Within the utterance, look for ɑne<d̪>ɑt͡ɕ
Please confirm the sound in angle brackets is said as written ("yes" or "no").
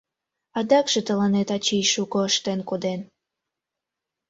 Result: no